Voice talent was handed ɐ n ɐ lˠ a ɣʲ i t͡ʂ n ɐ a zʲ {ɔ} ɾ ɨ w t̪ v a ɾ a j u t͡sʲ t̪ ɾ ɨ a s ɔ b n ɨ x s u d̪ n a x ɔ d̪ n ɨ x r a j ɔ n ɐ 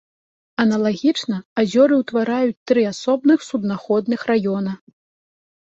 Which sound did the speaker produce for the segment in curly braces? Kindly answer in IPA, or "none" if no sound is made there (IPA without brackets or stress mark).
ɔ